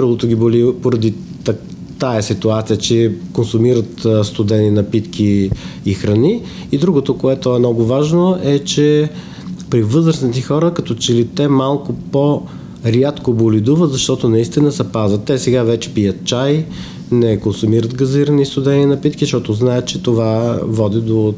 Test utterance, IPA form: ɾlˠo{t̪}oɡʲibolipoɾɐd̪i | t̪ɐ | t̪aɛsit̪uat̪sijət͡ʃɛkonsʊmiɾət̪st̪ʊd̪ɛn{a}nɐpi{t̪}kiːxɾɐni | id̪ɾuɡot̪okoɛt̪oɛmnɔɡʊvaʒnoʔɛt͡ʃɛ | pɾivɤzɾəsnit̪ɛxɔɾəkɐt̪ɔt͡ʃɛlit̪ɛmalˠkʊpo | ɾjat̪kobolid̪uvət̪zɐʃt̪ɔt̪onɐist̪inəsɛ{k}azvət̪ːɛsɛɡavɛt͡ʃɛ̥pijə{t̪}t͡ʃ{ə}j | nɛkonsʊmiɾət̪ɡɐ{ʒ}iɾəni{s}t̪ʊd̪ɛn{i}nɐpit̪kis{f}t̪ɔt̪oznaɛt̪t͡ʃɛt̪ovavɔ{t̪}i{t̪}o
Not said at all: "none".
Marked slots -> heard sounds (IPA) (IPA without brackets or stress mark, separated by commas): t̪, i, t̪, p, t̪, a, z, s, i, ʃ, d̪, d̪